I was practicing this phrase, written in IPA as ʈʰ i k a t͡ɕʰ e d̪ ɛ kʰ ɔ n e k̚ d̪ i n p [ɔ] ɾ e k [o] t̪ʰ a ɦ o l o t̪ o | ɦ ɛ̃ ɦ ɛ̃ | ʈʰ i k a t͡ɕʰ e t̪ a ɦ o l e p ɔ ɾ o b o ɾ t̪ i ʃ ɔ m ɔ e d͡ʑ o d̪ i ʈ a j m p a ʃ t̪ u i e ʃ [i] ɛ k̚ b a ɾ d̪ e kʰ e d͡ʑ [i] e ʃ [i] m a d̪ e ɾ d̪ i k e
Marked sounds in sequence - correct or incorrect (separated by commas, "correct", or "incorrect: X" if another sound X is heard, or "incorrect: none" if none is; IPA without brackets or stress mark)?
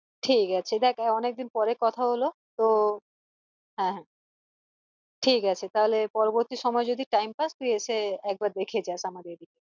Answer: correct, incorrect: ɔ, incorrect: e, incorrect: a, incorrect: a